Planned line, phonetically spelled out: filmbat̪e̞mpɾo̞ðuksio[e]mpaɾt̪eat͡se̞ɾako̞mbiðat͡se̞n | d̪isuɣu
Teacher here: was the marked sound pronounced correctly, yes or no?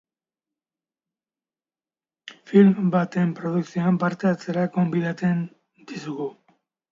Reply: no